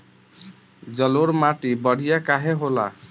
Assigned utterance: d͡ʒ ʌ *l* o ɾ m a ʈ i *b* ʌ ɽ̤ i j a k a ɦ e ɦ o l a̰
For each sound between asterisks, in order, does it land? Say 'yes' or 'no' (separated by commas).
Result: yes, yes